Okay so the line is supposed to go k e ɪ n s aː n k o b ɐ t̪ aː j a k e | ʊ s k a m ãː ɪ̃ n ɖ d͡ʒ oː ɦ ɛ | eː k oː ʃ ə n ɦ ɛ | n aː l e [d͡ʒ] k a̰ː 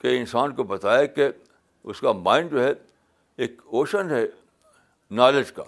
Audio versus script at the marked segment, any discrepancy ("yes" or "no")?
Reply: no